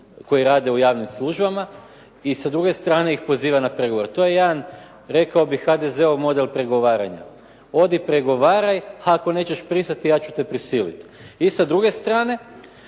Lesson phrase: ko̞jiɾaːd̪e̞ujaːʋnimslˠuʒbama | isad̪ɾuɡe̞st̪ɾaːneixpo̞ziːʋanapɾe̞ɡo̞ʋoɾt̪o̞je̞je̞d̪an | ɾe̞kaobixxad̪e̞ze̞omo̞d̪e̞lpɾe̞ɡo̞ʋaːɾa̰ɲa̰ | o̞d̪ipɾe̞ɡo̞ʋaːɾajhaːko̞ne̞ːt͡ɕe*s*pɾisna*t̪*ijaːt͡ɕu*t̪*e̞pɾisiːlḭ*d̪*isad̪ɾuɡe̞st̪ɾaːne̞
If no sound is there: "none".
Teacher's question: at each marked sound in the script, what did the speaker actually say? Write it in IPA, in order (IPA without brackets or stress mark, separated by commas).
ʃ, t̪, t̪, t̪